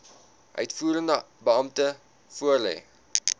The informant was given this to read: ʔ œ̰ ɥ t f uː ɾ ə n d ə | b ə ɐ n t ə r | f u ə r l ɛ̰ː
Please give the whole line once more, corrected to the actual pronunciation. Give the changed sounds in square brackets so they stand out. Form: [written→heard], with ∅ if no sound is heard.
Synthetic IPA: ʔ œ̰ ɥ t f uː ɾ ə n d ə | b ə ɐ [n→m] t ə [r→∅] | f u ə r l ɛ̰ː